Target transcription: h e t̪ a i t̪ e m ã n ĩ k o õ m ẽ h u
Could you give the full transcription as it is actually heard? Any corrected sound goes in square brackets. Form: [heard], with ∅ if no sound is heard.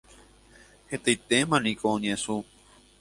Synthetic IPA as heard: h e t̪ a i t̪ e m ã n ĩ k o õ [ɲ] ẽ [s] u